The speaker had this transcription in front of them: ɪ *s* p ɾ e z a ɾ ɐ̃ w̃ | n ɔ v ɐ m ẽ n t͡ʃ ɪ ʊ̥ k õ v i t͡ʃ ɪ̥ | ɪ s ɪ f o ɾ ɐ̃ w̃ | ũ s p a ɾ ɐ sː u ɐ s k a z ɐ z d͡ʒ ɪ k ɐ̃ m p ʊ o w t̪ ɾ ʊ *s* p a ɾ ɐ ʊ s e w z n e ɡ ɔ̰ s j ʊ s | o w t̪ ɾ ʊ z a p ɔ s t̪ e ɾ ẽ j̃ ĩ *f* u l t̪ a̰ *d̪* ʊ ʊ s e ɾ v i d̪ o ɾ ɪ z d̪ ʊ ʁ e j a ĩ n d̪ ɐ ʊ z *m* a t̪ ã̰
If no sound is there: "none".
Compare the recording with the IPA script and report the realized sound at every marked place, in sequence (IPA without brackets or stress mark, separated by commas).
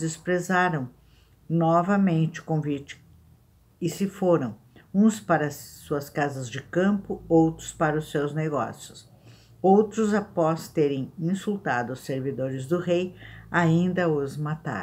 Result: s, s, s, d̪, m